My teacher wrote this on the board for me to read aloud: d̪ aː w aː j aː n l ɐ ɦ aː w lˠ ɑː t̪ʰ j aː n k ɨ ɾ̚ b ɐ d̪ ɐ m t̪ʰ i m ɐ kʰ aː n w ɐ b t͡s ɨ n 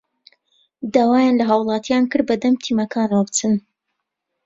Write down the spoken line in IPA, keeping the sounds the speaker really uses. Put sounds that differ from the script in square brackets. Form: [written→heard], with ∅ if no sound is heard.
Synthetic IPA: d̪ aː w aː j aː n l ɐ ɦ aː w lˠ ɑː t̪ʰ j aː n k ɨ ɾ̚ b ɐ d̪ ɐ m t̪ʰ i m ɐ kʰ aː n w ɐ b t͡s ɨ n